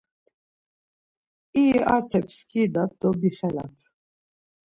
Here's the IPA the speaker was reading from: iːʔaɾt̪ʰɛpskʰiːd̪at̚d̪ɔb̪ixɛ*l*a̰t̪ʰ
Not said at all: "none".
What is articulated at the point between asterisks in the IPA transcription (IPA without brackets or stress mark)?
l